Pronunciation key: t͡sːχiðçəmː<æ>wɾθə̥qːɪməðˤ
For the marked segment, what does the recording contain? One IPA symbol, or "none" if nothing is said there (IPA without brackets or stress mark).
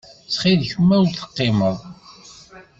æ